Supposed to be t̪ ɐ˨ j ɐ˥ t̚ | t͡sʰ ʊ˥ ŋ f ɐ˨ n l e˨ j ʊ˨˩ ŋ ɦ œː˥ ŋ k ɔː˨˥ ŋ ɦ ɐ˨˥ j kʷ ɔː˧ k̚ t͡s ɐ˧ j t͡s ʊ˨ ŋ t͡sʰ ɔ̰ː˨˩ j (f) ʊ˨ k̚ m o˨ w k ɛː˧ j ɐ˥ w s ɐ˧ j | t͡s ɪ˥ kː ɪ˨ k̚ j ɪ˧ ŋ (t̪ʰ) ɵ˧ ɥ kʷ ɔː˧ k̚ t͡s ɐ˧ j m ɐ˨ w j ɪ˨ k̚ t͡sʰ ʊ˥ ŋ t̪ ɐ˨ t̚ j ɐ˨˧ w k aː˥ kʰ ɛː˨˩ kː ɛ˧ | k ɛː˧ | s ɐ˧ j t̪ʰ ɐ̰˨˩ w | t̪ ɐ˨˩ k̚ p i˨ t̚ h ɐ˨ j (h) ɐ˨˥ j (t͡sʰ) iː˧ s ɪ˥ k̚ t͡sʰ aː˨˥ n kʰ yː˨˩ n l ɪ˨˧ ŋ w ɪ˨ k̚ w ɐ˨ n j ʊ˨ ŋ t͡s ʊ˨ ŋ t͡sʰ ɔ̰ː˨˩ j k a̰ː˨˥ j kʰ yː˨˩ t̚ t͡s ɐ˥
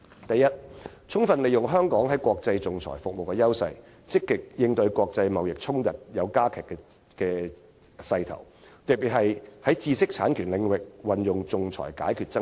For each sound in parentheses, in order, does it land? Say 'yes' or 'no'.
yes, no, yes, no

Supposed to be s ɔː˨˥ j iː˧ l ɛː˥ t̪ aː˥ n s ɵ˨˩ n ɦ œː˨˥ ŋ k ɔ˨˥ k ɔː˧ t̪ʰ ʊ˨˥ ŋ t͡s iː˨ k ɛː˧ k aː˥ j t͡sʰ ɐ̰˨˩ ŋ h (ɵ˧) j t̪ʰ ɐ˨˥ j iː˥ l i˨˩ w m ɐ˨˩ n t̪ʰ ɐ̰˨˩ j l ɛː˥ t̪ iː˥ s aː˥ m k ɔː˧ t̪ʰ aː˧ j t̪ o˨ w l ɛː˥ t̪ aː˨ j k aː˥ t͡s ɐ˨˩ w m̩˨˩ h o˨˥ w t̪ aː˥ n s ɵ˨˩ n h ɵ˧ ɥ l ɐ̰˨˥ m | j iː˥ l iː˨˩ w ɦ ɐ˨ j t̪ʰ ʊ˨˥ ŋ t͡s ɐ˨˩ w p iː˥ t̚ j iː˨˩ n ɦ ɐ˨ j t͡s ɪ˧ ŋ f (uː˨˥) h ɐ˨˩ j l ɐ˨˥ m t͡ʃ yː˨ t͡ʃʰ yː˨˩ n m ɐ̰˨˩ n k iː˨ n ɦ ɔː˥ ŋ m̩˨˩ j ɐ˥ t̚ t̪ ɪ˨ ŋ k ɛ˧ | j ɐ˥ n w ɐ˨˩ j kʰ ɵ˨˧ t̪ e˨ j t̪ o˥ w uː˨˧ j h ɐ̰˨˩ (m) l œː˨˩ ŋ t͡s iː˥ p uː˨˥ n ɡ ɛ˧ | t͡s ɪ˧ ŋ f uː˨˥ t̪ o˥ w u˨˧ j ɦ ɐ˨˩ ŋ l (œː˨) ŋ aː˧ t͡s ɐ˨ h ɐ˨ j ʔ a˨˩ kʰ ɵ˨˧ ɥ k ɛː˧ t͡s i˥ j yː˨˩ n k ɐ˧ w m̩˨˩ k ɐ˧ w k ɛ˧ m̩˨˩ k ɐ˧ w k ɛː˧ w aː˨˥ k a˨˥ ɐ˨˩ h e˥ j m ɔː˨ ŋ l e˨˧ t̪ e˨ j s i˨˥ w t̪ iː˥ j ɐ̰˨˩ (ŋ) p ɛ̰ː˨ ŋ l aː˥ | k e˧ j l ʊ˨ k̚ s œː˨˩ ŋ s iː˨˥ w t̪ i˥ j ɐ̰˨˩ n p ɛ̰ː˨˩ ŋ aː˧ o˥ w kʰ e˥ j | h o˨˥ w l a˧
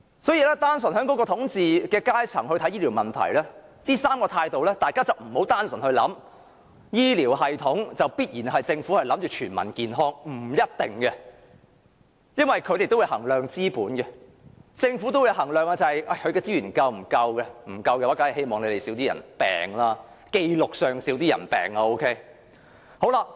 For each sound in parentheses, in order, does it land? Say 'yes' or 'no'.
yes, no, no, yes, no

